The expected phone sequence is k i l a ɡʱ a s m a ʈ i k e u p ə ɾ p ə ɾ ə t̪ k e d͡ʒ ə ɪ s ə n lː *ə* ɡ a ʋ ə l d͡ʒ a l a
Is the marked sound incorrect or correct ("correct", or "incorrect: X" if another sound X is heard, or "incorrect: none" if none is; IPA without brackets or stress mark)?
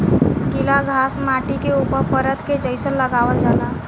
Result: correct